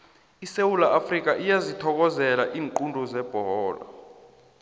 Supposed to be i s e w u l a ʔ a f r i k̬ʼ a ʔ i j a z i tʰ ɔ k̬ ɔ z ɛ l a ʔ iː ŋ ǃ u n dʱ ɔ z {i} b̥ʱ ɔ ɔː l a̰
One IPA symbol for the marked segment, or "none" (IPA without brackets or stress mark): ɛ